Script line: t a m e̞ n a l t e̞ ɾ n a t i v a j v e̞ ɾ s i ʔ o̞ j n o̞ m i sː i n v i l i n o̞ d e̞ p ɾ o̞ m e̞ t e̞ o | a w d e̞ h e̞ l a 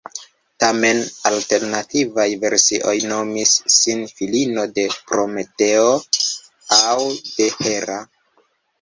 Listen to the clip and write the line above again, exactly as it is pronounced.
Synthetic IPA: t a m e̞ n a l t e̞ ɾ n a t i v a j v e̞ ɾ s i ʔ o̞ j n o̞ m i sː i n f i l i n o̞ d e̞ p ɾ o̞ m e̞ t e̞ o | a w d e̞ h e̞ ɾ a